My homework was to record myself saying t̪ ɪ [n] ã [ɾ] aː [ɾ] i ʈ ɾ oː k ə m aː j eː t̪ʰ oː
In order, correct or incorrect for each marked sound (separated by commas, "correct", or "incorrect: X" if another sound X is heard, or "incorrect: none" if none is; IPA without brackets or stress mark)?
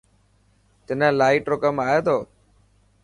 correct, incorrect: l, incorrect: none